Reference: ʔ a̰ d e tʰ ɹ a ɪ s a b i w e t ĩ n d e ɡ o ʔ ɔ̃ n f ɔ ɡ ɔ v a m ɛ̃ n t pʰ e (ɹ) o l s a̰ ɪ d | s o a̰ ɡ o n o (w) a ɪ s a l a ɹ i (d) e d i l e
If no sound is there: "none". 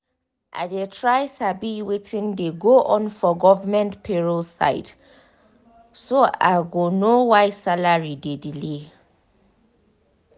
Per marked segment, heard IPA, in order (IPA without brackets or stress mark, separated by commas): ɹ, w, d